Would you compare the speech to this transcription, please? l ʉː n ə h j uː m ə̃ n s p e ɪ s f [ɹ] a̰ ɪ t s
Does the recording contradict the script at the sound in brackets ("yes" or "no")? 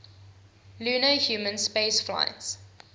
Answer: yes